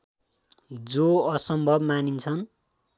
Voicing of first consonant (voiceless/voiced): voiced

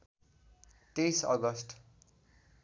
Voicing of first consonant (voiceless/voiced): voiceless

